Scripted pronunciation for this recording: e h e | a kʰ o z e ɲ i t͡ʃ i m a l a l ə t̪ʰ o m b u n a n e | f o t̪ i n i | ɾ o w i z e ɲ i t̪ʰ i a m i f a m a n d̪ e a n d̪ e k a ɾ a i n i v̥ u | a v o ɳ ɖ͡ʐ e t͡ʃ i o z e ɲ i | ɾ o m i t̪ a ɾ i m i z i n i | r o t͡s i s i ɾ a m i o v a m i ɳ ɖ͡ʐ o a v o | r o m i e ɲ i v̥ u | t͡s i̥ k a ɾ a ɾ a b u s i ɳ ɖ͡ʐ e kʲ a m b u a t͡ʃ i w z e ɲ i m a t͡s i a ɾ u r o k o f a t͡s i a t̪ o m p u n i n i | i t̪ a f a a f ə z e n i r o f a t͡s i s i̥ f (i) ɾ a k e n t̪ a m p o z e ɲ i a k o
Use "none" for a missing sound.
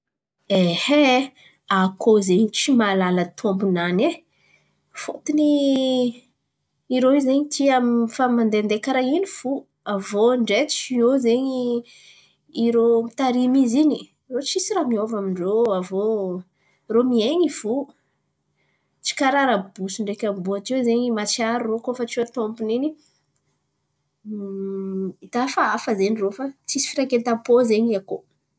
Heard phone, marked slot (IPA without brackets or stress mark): i